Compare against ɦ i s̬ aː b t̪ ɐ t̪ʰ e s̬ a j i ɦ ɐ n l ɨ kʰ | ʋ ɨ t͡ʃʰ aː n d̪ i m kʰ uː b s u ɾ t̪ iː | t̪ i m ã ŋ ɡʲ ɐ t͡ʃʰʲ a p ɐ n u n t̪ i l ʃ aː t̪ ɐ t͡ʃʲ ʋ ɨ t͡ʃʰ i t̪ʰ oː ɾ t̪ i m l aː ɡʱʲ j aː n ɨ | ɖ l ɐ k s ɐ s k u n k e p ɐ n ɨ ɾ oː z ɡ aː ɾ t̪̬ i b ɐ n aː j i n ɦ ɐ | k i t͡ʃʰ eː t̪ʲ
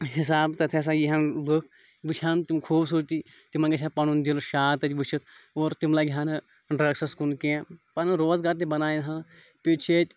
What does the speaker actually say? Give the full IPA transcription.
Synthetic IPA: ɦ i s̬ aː b t̪ ɐ t̪ʰ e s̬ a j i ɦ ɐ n l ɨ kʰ | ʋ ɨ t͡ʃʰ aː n t̪ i m kʰ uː b s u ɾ t̪ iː | t̪ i m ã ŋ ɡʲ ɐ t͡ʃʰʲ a p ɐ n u n d̪ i l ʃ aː t̪ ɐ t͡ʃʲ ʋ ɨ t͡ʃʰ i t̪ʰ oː ɾ t̪ i m l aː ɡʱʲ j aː n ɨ | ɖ ɾ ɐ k s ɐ s k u n k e p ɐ n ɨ ɾ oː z ɡ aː ɾ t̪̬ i b ɐ n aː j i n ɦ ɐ | p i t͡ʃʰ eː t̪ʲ